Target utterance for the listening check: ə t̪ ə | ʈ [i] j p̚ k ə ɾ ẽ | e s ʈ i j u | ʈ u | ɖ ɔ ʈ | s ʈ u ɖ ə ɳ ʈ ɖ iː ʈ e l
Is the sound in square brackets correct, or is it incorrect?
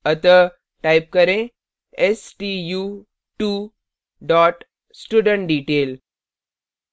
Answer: incorrect